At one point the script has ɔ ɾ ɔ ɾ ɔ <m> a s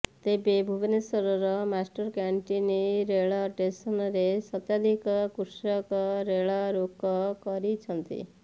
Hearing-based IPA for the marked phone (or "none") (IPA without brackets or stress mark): m